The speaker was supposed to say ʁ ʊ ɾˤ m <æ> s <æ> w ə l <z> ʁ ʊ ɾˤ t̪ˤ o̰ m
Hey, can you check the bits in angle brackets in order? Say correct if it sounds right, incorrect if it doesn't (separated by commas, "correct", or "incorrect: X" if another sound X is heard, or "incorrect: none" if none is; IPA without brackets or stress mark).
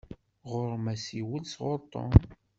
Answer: correct, incorrect: i, incorrect: s